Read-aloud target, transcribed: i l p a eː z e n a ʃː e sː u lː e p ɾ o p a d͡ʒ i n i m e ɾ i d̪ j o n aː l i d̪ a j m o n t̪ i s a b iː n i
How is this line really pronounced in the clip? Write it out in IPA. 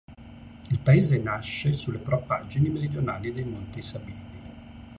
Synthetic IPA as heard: i l p a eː z e n a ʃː e s u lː e p ɾ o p a d͡ʒ i n i m e ɾ i d̪ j o n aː l i d̪ e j m o n t̪ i s a b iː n i